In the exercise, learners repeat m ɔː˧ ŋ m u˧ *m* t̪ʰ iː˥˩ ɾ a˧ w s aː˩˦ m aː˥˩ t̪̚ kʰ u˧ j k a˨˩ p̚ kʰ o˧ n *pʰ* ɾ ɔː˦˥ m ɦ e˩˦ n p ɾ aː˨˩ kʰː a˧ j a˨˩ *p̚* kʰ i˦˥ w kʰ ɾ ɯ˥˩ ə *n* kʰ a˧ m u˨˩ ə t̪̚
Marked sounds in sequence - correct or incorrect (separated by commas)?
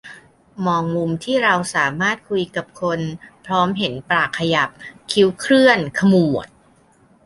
correct, correct, correct, correct